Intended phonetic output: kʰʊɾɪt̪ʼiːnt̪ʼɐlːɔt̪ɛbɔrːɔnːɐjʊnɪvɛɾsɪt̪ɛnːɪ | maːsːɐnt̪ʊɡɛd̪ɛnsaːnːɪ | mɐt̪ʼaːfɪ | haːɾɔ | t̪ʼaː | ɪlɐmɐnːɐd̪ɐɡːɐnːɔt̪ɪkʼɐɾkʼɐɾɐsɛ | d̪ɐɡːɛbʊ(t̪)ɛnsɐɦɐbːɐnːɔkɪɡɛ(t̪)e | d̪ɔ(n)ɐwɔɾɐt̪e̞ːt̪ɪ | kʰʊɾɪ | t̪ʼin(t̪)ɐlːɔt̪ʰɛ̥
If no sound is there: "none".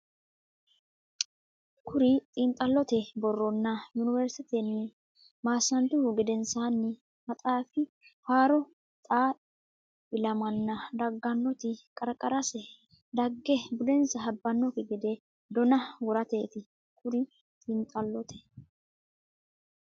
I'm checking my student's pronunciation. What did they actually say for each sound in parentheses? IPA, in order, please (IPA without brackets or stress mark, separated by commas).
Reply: d̪, d̪, n, t̪ʼ